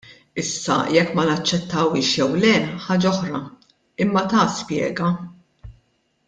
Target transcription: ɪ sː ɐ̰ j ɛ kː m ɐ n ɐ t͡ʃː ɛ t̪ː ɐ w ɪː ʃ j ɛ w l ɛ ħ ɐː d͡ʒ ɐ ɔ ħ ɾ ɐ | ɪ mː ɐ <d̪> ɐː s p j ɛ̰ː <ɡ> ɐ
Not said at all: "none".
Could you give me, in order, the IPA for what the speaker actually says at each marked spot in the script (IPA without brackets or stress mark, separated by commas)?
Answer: t̪, ɡ